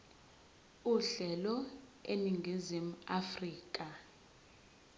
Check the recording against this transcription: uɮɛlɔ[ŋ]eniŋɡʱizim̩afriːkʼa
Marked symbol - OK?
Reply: no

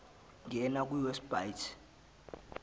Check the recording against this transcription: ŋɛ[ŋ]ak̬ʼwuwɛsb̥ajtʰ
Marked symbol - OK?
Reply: no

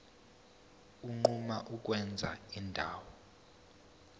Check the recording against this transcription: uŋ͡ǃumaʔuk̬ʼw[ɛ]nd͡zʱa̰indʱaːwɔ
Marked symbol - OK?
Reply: yes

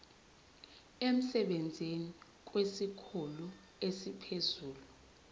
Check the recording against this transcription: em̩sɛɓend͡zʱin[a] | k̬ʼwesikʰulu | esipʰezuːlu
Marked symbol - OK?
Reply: no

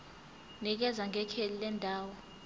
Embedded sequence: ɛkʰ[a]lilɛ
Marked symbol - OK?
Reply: no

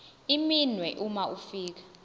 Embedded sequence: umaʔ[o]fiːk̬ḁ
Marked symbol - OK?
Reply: no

